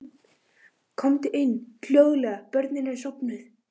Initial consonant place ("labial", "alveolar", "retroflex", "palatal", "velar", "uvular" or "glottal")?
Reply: velar